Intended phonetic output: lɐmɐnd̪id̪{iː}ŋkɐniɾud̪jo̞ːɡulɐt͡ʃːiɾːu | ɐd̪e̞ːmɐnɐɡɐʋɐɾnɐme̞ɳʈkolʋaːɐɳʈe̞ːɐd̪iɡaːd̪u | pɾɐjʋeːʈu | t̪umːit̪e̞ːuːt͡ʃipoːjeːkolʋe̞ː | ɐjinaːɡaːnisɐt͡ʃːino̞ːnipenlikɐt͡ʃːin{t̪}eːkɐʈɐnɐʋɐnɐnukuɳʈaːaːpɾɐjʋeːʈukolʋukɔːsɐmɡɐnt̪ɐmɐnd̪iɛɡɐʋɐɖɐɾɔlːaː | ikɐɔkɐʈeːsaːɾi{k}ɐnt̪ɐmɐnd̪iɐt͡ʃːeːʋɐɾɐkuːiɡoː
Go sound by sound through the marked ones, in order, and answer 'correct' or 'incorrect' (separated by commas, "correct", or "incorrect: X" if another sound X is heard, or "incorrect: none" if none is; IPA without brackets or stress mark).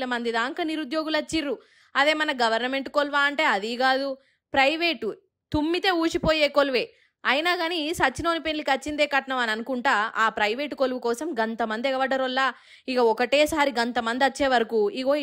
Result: incorrect: aː, incorrect: d̪, incorrect: ɡ